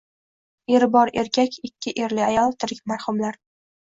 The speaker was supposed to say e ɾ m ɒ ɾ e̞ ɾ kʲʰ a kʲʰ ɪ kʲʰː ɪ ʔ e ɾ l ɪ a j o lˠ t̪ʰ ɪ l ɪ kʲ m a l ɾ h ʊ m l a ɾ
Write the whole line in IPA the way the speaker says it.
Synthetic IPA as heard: e ɾ b ɒ ɾ e̞ ɾ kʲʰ a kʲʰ ɪ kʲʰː ɪ ʔ e ɾ l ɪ a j ɒ lˠ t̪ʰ ɪ ɾ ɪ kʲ m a ɾ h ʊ m l a ɾ